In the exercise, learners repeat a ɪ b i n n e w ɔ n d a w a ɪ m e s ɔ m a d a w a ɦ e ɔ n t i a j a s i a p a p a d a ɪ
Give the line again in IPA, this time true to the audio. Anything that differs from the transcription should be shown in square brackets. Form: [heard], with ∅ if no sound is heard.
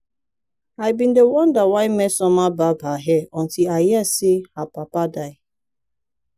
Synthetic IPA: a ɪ b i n [d] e w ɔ n d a w a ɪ m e s ɔ m a [b] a [b] a ɦ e ɔ n t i a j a s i a p a p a d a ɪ